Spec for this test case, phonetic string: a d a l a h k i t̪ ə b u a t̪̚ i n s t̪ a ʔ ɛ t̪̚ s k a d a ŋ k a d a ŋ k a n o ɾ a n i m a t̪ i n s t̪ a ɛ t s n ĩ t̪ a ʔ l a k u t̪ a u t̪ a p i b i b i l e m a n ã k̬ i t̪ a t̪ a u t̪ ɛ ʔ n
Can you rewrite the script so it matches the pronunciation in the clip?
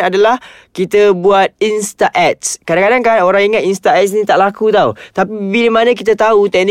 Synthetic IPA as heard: a d a l a h k i t̪ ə b u a t̪̚ i n s t̪ a ʔ ɛ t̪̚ s k a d a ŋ k a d a ŋ k a n o ɾ a ŋ i ŋ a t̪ i n s t̪ a ɛ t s n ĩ t̪ a ʔ l a k u t̪ a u t̪ a p i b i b i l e m a n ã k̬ i t̪ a t̪ a u t̪ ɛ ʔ n